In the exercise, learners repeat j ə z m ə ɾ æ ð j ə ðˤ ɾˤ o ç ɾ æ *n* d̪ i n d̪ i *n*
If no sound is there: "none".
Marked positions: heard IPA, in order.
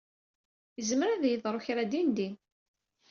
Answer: none, n

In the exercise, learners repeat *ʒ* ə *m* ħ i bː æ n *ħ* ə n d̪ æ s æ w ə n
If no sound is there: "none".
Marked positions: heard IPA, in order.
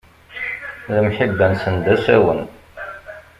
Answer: ð, m, s

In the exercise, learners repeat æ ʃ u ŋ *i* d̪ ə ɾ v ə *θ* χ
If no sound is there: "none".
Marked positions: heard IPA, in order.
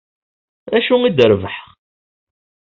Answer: i, ħ

